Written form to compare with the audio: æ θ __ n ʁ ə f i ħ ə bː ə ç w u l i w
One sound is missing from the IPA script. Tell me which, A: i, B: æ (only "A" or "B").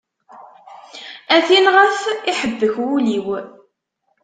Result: A